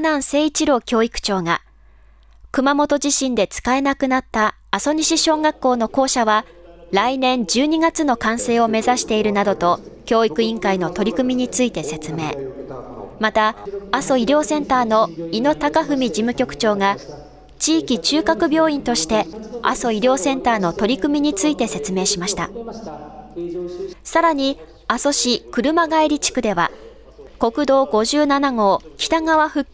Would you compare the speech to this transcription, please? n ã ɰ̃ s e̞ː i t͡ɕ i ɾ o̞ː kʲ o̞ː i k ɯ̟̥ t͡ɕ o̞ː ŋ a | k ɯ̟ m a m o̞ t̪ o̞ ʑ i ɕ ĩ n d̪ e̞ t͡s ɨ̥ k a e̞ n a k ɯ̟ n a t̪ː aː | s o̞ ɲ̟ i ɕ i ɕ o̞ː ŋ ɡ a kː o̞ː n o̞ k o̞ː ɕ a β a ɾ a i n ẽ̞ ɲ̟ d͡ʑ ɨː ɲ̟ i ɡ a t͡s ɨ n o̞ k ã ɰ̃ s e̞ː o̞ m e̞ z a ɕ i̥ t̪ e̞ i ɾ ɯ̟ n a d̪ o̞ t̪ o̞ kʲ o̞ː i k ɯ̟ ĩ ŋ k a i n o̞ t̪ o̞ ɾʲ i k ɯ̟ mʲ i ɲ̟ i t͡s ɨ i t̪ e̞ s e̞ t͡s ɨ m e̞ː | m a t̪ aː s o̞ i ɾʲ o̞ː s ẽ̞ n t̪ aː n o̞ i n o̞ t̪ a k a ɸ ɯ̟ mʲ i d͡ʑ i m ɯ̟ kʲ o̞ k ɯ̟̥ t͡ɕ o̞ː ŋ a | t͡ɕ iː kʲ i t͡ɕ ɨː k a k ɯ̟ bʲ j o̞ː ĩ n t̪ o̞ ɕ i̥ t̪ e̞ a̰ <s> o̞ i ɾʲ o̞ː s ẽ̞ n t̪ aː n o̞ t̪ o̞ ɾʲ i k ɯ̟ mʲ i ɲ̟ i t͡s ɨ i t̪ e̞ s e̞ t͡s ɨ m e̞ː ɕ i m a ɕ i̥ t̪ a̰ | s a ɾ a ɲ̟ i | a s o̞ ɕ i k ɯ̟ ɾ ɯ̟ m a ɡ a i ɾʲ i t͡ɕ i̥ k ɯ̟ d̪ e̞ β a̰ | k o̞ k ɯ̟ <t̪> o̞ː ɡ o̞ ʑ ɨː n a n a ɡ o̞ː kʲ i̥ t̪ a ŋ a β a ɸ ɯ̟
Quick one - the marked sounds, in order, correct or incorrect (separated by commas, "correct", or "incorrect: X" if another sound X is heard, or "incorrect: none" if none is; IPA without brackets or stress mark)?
correct, incorrect: d̪